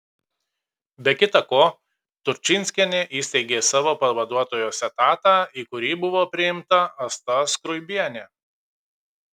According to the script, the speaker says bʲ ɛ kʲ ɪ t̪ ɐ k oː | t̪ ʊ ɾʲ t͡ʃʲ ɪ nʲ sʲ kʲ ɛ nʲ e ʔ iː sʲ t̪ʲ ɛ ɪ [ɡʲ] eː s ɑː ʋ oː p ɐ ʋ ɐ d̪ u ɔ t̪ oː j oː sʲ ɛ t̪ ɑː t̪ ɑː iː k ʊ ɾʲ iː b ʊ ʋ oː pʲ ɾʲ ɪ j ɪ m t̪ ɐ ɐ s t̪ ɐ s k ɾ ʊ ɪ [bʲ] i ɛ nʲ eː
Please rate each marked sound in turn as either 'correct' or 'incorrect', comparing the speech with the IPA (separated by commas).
correct, correct